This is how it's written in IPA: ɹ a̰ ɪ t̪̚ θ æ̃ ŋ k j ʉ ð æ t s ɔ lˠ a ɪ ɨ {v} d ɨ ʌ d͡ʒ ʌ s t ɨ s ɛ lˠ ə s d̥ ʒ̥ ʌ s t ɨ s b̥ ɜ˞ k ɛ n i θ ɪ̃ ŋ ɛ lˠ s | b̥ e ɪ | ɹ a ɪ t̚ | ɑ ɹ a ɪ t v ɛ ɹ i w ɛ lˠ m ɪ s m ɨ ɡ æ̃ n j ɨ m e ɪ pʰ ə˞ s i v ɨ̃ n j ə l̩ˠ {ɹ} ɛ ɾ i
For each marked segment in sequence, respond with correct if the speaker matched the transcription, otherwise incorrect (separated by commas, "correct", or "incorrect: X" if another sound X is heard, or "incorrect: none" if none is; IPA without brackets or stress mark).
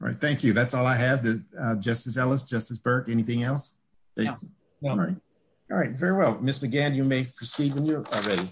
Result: correct, correct